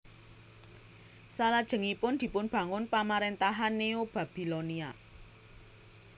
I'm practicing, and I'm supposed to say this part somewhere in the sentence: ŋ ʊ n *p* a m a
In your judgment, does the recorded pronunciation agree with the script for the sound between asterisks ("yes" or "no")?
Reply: yes